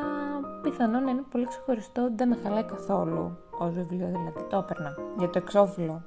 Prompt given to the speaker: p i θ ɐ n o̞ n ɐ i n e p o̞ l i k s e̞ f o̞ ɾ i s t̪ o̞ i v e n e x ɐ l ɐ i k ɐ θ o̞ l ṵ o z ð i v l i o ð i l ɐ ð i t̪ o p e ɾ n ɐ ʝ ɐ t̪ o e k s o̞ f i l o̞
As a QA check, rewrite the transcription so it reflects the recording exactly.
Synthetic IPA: p i θ ɐ n o̞ n ɐ i n e p o̞ l i k s e̞ x o̞ ɾ i s t̪ o̞ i ð e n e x ɐ l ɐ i k ɐ θ o̞ l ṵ o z v i v l i o ð i l ɐ ð i t̪ o p e ɾ n ɐ ʝ ɐ t̪ o e k s o̞ f i l o̞